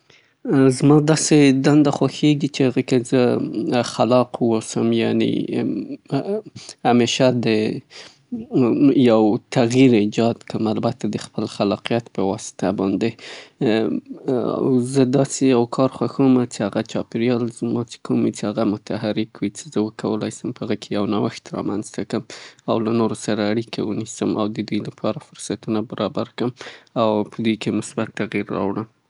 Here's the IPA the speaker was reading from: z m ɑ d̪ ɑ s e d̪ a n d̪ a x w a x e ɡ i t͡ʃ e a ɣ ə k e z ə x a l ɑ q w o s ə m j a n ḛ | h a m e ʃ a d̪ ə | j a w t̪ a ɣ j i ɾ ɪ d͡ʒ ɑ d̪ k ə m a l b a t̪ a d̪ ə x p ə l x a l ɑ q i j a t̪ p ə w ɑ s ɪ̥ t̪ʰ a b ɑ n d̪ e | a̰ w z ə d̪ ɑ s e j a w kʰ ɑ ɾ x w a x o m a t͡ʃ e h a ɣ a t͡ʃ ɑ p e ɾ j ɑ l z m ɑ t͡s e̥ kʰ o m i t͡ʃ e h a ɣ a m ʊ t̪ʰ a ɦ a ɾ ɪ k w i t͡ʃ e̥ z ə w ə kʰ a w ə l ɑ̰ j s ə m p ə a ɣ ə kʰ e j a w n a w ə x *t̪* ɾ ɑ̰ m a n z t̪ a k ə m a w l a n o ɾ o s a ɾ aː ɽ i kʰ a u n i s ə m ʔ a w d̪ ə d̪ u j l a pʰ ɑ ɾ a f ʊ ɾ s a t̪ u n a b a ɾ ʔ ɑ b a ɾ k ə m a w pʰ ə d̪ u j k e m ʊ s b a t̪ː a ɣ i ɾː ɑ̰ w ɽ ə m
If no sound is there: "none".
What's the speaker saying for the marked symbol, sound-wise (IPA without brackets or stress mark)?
t̪